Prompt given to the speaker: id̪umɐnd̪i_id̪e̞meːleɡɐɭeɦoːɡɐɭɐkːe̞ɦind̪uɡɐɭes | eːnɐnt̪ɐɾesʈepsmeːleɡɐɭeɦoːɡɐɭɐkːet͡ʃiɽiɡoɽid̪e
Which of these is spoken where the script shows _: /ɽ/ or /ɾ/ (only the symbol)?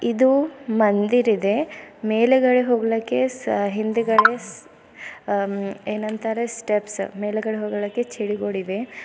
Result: ɾ